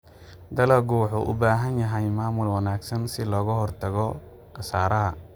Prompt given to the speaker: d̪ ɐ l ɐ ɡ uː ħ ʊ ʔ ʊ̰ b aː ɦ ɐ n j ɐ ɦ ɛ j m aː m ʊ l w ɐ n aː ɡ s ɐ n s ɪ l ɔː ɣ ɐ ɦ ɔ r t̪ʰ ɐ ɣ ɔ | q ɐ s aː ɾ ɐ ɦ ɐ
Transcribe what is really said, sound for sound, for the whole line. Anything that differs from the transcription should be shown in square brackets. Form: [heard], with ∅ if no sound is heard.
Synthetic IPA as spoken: d̪ ɐ l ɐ ɡ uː ħ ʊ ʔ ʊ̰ b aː ɦ ɐ n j ɐ ɦ ɛ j m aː m ʊ l w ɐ n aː ɡ s ɐ n s ɪ l ɔː ɣ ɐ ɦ ɔ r t̪ʰ ɐ ɣ ɔ | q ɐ s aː ɾ ɐ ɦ ɐ